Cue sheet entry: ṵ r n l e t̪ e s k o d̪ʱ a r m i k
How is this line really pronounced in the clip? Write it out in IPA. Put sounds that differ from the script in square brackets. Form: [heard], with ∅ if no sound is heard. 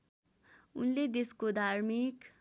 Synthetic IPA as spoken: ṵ [∅] n l e [d̪] e s k o d̪ʱ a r m i k